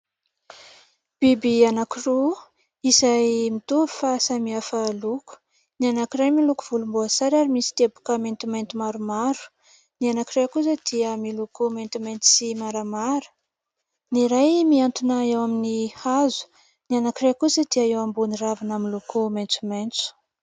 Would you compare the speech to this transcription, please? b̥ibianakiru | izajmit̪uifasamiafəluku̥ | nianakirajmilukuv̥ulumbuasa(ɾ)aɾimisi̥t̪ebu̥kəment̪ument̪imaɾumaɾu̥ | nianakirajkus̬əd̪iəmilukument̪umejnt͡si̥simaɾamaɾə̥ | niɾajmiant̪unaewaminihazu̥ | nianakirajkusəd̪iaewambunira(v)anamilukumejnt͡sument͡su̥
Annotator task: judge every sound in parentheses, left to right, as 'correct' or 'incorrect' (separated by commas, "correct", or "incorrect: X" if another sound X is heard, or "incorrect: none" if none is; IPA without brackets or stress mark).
correct, correct